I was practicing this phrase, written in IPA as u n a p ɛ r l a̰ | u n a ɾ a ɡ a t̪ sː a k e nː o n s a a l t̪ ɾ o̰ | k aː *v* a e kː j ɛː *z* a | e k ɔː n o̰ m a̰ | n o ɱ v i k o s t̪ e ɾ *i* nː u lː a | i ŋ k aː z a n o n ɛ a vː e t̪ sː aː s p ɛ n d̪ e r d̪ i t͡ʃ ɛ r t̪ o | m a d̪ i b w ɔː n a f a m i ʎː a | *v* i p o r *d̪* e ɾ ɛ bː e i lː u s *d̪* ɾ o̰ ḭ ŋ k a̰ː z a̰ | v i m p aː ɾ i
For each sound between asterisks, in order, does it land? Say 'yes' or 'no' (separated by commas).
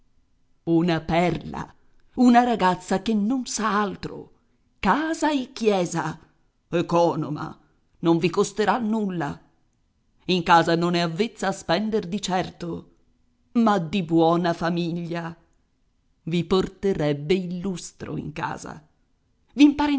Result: no, yes, no, yes, no, no